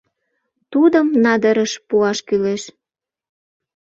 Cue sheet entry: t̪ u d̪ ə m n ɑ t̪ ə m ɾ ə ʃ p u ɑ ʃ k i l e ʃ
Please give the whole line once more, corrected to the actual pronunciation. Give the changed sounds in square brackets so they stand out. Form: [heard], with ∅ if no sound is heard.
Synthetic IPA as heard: t̪ u d̪ ə m n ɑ [d̪] ə [∅] ɾ ə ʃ p u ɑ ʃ k [y] l e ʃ